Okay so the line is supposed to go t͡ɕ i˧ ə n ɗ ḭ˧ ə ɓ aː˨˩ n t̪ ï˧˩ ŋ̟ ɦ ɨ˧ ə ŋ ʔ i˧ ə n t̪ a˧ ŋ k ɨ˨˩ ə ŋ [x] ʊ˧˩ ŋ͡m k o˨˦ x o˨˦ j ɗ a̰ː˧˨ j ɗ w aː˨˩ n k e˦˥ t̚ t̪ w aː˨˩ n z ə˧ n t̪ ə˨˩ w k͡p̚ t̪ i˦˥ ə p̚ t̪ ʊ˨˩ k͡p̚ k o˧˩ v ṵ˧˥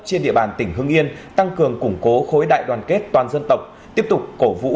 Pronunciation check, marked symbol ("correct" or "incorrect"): incorrect